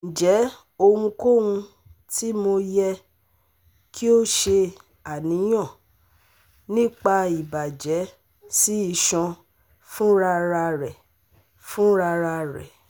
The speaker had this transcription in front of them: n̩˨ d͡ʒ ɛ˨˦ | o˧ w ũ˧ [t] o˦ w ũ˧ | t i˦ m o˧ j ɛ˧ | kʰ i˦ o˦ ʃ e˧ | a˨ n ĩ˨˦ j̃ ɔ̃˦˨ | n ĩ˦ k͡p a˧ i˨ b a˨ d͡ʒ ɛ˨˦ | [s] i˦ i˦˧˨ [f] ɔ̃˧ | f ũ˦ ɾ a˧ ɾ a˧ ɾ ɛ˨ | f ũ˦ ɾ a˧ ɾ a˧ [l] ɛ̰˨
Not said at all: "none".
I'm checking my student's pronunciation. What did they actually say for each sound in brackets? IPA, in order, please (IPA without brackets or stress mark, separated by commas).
k, s, ʃ, ɾ